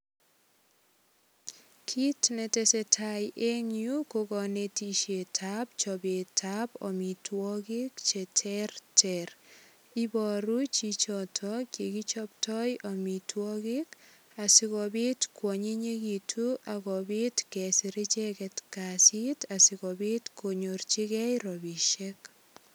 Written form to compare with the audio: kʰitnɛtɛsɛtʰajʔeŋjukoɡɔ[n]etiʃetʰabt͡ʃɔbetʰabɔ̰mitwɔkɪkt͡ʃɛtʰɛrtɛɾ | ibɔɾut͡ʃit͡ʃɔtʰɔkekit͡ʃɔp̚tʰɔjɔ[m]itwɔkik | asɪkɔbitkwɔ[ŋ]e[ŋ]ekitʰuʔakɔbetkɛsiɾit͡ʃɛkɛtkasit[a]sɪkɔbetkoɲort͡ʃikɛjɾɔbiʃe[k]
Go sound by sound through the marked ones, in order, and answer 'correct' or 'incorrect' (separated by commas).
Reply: correct, correct, incorrect, incorrect, correct, correct